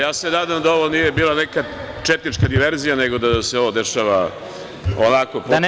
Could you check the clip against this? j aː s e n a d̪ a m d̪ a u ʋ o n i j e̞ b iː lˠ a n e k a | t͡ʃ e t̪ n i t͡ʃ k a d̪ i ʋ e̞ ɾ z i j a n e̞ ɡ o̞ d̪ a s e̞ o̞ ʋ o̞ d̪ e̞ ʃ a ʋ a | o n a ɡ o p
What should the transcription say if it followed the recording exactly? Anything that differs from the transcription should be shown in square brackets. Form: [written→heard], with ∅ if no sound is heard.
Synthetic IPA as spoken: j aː s e n a d̪ a m d̪ a [u→o] ʋ o n i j e̞ b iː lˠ a n e k a | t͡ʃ e t̪ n i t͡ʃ k a d̪ i ʋ e̞ ɾ z i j a n e̞ ɡ o̞ d̪ a s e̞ o̞ ʋ o̞ d̪ e̞ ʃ a ʋ a | o n a [ɡ→k] o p